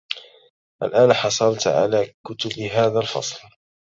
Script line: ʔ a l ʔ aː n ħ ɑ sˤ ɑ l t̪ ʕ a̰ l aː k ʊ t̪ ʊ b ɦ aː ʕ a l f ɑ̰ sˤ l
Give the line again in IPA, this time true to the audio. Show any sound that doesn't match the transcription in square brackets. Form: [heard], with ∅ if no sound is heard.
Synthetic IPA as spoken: ʔ a l ʔ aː n ħ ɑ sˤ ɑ l t̪ ʕ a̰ l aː k ʊ t̪ ʊ b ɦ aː [ð] a l f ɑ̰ sˤ l